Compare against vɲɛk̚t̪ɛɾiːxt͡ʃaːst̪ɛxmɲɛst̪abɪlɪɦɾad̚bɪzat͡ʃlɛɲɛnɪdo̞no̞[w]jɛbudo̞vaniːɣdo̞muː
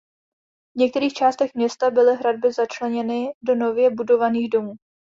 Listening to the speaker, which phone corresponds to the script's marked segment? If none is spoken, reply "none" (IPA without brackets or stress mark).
v